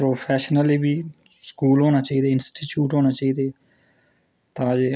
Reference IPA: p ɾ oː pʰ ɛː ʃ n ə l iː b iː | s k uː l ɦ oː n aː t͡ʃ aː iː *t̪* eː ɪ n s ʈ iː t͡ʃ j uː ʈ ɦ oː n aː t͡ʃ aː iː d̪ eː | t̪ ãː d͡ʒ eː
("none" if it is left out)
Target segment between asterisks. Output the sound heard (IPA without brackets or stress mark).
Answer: d̪